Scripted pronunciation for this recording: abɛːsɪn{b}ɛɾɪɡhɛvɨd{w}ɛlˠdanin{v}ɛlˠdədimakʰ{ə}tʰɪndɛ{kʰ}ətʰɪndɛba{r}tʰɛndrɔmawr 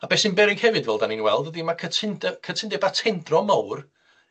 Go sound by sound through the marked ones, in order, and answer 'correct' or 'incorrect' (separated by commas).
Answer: correct, incorrect, incorrect, correct, correct, incorrect